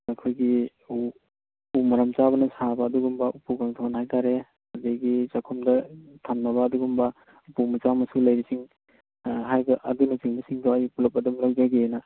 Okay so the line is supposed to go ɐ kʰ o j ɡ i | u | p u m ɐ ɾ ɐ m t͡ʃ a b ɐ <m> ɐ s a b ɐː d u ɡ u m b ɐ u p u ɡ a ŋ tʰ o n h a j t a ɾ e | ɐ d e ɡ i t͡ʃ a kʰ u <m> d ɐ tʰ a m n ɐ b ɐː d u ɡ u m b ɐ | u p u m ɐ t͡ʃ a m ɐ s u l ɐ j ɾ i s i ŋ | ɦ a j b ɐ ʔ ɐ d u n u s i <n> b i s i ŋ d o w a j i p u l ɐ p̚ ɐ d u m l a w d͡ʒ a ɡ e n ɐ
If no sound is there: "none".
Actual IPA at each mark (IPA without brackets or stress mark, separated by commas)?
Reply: n, m, ŋ